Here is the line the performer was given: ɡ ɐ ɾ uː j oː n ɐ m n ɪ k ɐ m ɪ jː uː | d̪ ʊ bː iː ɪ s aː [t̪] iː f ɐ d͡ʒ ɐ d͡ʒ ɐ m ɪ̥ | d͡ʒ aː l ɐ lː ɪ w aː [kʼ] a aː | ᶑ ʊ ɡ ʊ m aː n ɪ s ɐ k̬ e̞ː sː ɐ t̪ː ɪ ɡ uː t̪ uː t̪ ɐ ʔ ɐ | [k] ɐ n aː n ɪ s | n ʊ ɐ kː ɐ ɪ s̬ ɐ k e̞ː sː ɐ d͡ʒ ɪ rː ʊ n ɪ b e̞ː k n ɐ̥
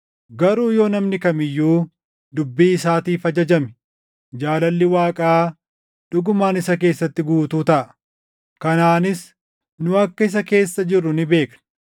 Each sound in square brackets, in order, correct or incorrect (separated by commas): correct, correct, correct